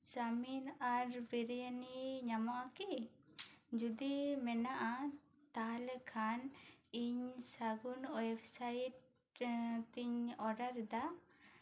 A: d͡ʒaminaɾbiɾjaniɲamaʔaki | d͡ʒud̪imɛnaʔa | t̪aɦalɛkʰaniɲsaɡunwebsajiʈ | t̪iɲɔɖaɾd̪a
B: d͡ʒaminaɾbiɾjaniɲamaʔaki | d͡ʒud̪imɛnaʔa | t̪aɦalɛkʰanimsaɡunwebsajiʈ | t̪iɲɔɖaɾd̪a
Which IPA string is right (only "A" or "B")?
A